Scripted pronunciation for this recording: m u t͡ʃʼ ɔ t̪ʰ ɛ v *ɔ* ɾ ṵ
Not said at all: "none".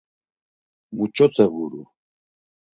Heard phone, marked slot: u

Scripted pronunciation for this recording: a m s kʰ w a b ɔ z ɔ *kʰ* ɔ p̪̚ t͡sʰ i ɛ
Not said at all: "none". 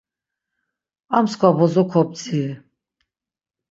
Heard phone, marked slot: kʰ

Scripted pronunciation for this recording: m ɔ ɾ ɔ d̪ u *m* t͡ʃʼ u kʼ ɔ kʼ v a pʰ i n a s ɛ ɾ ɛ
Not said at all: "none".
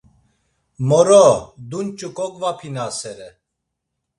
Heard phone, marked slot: n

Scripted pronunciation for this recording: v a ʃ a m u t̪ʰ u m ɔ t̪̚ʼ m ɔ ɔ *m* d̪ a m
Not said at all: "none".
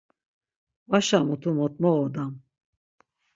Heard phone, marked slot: none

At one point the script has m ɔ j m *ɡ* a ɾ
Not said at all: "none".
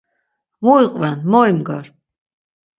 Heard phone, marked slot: ɡ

